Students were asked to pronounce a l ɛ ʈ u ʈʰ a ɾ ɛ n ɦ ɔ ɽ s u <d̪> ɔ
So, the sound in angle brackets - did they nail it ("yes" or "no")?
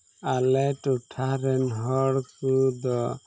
yes